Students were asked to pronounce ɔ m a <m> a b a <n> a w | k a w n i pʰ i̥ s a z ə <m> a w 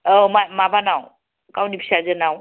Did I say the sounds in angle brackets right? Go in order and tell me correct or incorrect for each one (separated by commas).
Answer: correct, correct, incorrect